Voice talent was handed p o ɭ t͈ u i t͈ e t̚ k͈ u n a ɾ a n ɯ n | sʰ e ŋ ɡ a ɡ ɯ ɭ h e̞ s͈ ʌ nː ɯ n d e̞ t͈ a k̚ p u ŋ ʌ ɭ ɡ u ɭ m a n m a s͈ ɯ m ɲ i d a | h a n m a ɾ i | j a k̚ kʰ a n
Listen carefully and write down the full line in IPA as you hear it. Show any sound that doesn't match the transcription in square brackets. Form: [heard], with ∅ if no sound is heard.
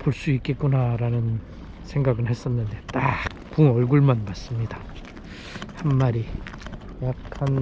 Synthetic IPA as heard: p o ɭ [s͈] u i [k͈] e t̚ k͈ u n a ɾ a n ɯ n | sʰ e ŋ ɡ a ɡ ɯ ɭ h e̞ s͈ ʌ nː ɯ n d e̞ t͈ a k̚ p u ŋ ʌ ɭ ɡ u ɭ m a n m a s͈ ɯ m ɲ i d a | h a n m a ɾ i | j a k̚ kʰ a n

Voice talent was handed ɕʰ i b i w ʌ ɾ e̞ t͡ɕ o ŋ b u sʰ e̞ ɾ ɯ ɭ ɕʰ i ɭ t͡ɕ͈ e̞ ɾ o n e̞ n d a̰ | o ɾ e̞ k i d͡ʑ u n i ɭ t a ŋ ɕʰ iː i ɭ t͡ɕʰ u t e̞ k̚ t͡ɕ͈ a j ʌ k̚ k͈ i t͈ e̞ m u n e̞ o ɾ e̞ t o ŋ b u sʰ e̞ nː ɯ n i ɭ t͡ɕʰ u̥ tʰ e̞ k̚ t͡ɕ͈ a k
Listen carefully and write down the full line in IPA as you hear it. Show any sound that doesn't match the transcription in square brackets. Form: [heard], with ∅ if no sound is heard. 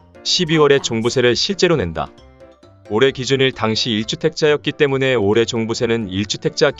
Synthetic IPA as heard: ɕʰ i b i w ʌ ɾ e̞ t͡ɕ o ŋ b u sʰ e̞ ɾ ɯ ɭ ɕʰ i ɭ t͡ɕ͈ e̞ ɾ o n e̞ n d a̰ | o ɾ e̞ k i d͡ʑ u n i ɭ t a ŋ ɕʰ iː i ɭ t͡ɕʰ u [tʰ] e̞ k̚ t͡ɕ͈ a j ʌ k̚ k͈ i t͈ e̞ m u n e̞ o ɾ e̞ [t͡ɕ] o ŋ b u sʰ e̞ [n] ɯ n i ɭ t͡ɕʰ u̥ tʰ e̞ k̚ t͡ɕ͈ a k

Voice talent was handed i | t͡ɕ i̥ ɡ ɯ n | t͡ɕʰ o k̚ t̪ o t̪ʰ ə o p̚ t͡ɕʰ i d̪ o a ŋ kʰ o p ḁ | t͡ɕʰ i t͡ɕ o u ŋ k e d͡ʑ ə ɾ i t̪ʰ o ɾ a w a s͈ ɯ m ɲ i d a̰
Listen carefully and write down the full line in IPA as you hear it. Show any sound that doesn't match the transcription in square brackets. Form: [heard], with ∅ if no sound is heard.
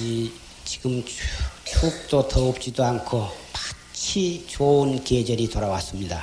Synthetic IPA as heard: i | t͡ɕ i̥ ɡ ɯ [m] | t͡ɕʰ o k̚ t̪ o t̪ʰ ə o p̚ [t͡ɕ] i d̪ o a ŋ kʰ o p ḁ | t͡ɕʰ i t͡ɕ o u [n] k e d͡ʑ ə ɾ i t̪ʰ o ɾ a w a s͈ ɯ m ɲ i d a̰

